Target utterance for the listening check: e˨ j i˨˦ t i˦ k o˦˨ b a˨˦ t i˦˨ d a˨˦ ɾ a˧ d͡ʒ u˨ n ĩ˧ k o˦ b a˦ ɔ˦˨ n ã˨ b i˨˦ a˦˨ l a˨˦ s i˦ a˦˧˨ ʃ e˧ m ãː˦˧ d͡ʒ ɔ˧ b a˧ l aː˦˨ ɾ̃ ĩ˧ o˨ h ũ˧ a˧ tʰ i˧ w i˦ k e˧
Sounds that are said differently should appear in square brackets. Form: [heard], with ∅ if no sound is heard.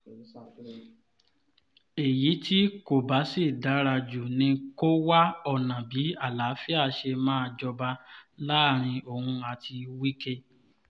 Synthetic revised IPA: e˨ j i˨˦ t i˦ k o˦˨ b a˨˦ [s] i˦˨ d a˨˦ ɾ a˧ d͡ʒ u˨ n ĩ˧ k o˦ [w] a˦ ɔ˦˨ n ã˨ b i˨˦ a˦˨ l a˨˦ [f] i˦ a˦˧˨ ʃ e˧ m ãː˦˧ d͡ʒ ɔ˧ b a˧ l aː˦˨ ɾ̃ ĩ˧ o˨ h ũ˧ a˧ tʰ i˧ w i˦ k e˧

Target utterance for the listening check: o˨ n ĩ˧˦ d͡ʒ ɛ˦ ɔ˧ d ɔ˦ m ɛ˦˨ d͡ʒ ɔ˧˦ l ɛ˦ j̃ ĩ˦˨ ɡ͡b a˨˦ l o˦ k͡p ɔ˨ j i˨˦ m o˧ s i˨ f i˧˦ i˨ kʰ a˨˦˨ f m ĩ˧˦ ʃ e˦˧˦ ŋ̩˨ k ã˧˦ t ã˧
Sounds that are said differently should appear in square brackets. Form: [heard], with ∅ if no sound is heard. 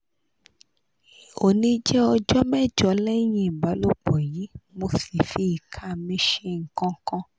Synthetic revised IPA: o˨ n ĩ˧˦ d͡ʒ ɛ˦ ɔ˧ [d͡ʒ] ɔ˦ m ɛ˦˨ d͡ʒ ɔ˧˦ l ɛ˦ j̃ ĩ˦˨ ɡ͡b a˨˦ l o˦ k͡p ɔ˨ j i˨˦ m o˧ s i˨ f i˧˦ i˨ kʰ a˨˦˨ [∅] m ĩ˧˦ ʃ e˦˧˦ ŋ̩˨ k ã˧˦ [k] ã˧

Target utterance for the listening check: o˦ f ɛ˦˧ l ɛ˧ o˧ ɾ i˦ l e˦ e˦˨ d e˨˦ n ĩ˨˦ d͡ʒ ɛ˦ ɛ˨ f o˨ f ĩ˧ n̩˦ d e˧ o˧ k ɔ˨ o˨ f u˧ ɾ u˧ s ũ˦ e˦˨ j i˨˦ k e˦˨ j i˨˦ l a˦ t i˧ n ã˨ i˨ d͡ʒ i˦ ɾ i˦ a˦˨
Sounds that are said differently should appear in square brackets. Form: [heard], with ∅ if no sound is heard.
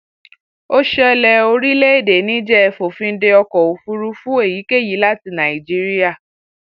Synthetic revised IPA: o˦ [ʃ] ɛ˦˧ l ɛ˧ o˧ ɾ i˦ l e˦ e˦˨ d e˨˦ n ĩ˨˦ d͡ʒ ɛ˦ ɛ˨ f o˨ f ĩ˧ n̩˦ d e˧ [ɔ˧] k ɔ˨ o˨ f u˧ ɾ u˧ [f] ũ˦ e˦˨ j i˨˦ k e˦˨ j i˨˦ l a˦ t i˧ n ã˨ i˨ d͡ʒ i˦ ɾ i˦ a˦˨

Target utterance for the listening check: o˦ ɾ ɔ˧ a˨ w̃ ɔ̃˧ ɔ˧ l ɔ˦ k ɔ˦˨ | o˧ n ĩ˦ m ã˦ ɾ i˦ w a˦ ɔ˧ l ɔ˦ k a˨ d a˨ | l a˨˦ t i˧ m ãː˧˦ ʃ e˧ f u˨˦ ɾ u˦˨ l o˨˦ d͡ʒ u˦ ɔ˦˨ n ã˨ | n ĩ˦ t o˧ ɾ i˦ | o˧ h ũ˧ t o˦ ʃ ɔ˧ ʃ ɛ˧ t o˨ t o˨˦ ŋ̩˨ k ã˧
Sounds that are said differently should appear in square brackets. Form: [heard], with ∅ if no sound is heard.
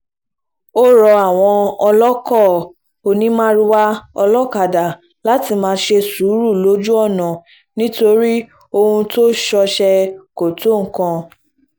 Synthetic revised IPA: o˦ ɾ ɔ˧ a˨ w̃ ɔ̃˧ ɔ˧ l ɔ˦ k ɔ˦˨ | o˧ n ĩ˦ m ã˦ ɾ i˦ w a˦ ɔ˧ l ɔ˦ k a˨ d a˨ | l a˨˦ t i˧ m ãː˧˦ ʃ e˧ [s] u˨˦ ɾ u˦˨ l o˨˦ d͡ʒ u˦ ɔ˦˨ n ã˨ | n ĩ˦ t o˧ ɾ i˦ | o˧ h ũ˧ t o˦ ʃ ɔ˧ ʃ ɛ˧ [k] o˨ t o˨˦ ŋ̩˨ k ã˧

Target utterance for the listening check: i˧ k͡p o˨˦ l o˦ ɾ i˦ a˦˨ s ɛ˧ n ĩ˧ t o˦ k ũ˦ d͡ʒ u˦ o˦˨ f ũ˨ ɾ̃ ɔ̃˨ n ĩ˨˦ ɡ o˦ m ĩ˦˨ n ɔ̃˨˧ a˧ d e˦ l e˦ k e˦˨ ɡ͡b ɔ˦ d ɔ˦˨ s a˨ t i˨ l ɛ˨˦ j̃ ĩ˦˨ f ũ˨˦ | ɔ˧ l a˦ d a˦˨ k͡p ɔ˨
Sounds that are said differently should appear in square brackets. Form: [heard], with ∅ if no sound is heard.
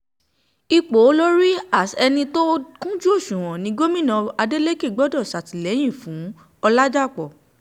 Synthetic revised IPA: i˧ k͡p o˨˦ l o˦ ɾ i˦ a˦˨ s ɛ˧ n ĩ˧ t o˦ k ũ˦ d͡ʒ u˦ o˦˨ [ʃ] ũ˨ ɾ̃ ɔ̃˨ n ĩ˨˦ ɡ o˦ m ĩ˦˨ n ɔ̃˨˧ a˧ d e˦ l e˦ k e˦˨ ɡ͡b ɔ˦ d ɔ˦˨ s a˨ t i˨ l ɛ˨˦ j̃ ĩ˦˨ f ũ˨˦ | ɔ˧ l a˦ [d͡ʒ] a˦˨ k͡p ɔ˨

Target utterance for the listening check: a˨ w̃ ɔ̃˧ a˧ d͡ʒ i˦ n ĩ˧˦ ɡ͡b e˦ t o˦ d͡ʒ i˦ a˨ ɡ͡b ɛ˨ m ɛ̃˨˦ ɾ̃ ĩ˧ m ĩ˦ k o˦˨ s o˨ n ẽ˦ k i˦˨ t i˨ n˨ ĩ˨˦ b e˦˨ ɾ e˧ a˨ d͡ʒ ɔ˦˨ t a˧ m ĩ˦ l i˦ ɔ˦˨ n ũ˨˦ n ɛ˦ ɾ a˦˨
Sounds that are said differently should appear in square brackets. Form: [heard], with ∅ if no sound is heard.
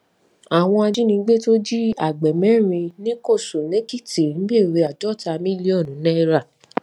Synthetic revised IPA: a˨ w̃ ɔ̃˧ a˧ d͡ʒ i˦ n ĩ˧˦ ɡ͡b e˦ t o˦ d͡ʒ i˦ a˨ ɡ͡b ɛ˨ m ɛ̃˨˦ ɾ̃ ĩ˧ [n] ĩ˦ k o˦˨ s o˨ n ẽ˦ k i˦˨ t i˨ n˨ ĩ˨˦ b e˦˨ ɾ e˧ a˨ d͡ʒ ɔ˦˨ t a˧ m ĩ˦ l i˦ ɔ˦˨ n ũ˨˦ n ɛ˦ ɾ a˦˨

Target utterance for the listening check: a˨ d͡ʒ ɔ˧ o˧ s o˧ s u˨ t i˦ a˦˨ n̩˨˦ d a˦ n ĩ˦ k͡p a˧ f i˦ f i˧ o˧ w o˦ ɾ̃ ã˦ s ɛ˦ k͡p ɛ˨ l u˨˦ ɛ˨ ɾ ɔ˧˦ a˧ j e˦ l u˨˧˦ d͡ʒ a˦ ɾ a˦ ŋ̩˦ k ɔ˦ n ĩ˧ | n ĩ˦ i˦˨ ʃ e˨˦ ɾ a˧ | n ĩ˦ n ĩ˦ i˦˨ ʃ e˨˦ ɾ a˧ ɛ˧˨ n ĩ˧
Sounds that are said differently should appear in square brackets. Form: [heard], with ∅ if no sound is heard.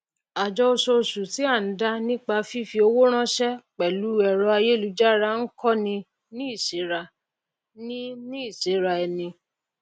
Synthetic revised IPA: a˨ d͡ʒ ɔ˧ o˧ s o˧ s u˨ t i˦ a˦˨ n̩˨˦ d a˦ n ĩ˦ k͡p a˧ f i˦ f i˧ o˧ w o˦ ɾ̃ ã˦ [ʃ] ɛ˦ k͡p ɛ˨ l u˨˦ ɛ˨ ɾ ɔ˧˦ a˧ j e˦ l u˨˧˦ d͡ʒ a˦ ɾ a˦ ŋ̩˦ k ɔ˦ n ĩ˧ | n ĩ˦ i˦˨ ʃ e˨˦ ɾ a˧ | n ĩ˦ n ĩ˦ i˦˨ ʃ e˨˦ ɾ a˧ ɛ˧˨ n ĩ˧

